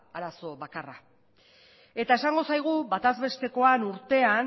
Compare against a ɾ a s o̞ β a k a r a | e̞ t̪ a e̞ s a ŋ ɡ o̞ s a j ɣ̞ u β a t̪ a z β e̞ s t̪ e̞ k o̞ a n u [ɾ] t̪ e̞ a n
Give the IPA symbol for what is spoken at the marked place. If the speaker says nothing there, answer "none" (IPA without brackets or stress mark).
ɾ